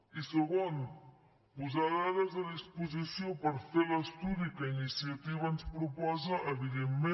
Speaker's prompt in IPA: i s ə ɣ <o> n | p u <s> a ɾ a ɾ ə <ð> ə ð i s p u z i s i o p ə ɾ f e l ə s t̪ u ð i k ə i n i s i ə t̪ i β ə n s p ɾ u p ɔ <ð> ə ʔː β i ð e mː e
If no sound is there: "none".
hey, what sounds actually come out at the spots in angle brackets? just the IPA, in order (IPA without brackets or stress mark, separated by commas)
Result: o, z, z, z